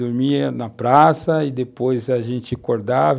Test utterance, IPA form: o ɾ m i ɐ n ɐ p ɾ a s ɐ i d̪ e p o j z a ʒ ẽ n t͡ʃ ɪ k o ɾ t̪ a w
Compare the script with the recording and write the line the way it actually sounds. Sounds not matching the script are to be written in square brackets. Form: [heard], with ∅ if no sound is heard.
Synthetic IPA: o ɾ m i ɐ n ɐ p ɾ a s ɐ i d̪ e p o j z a ʒ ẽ n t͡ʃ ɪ k o ɾ [d̪] a [v]